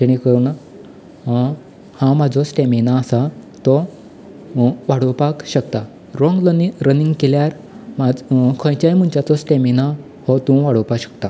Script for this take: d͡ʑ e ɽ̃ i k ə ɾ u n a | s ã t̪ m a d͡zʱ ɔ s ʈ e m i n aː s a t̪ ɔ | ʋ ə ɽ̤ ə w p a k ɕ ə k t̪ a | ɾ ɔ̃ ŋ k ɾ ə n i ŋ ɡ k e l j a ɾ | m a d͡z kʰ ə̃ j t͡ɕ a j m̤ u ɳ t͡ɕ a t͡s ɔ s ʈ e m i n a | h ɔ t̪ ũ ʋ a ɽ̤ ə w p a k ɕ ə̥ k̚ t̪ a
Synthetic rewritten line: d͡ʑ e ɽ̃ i k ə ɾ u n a | h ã m a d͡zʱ ɔ s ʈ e m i n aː s a t̪ ɔ | ʋ a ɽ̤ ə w p a k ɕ ə k t̪ a | ɾ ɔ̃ ŋ ɡ ɾ ə n i ŋ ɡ k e l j a ɾ | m a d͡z kʰ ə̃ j t͡ɕ a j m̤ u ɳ t͡ɕ a t͡s ɔ s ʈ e m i n a | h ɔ t̪ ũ ʋ a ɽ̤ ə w p a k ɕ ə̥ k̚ t̪ a